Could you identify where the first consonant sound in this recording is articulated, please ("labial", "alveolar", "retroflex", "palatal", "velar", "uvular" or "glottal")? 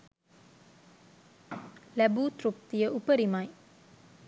alveolar